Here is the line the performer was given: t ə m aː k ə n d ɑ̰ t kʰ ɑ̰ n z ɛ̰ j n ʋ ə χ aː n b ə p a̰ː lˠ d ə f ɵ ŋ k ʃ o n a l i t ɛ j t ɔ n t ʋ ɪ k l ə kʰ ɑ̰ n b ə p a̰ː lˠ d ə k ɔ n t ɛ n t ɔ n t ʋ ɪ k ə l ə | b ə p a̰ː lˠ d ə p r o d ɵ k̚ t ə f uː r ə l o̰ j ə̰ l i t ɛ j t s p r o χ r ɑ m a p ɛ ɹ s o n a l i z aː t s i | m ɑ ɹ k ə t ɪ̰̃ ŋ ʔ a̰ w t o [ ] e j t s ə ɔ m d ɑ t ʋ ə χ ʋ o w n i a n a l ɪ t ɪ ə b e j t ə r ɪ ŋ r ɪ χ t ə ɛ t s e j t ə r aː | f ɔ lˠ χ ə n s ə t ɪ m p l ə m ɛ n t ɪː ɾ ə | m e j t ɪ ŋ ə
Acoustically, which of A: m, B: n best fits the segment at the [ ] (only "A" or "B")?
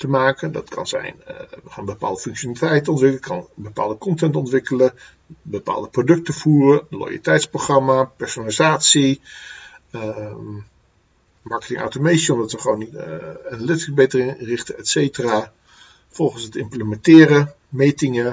A